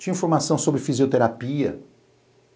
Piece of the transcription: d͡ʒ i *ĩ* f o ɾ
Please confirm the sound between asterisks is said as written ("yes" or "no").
yes